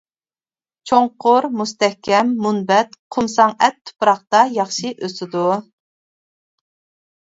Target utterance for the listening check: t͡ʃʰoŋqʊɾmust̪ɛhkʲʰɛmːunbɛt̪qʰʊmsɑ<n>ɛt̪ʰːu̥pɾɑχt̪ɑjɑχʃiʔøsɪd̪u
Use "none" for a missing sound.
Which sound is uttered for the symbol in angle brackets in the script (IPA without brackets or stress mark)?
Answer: ŋ